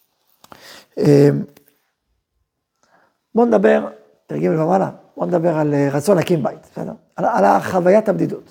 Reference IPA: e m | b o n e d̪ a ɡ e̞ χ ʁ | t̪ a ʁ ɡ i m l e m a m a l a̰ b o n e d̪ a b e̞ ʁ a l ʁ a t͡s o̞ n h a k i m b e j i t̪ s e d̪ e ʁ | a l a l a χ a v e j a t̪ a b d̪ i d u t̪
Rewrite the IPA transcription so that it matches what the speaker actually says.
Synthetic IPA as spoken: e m | b o n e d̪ a b e̞ ʁ | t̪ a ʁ ɡ i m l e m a m a l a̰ b o n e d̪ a b e̞ ʁ a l ʁ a t͡s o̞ n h a k i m b a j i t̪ s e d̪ e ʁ | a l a l a χ a v a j a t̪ a b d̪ i d u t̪